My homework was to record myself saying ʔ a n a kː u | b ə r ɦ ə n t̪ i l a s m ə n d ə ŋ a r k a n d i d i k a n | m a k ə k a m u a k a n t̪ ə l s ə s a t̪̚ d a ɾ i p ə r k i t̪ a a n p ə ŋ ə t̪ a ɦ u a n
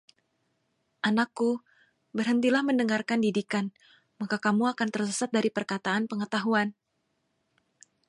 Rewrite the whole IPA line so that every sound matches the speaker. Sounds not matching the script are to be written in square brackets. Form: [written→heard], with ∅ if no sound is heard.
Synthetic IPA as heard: ʔ a n a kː u | b ə r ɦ ə n t̪ i l a [s→h] m ə n d ə ŋ a r k a n d i d i k a n | m a k [ə→a] k a m u a k a n t̪ ə [l→r] s ə s a t̪̚ d a ɾ i p ə r k [i→a] t̪ a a n p ə ŋ ə t̪ a ɦ u a n